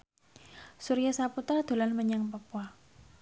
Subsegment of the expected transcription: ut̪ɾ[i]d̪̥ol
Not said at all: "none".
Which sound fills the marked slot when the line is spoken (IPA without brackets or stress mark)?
a